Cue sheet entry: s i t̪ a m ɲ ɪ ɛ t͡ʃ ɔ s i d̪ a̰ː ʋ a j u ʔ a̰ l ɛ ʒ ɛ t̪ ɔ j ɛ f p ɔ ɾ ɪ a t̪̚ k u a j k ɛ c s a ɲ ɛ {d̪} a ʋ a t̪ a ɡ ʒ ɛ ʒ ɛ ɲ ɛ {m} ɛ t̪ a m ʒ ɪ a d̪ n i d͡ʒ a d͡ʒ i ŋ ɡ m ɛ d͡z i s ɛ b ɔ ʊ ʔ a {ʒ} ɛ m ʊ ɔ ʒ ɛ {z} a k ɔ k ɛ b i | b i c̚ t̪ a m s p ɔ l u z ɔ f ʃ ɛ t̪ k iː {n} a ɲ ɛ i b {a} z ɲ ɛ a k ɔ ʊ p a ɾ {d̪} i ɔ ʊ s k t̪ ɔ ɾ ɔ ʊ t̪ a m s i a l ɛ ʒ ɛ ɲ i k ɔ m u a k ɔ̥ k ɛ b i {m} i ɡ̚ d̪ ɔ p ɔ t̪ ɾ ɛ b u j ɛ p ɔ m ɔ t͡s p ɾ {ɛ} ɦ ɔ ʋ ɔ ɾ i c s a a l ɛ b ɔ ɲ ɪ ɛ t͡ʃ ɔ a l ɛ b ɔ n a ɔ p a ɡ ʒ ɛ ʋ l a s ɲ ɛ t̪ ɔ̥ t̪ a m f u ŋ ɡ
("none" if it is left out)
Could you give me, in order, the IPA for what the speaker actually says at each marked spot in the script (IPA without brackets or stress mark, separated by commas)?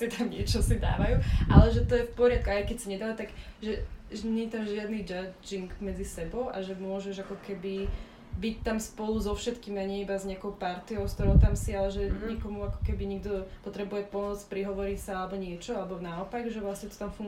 d̪, ɲ, ʒ, ʒ, m, a, t̪, ɲ, i